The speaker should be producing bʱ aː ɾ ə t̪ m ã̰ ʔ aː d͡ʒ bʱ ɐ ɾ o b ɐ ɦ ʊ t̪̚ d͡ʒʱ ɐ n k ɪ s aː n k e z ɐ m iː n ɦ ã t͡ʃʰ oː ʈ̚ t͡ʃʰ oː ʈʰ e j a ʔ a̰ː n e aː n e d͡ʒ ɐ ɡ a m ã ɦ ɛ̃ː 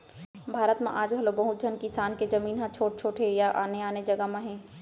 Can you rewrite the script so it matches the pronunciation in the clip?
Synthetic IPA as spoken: bʱ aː ɾ ə t̪ m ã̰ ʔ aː d͡ʒ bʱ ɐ l o b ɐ ɦ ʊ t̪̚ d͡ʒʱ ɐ n k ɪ s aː n k e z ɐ m iː n ɦ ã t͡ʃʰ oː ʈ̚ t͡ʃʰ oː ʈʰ e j a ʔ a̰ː n e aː n e d͡ʒ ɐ ɡ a m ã ɦ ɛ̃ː